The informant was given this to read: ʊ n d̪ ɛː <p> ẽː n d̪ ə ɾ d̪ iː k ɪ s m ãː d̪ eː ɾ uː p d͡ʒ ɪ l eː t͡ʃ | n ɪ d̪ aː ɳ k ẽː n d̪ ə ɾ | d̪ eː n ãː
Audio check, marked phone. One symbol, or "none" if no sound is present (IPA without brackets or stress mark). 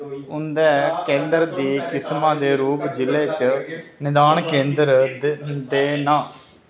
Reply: k